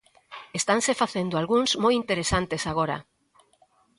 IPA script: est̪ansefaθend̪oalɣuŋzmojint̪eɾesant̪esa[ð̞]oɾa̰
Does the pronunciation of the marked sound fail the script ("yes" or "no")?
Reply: yes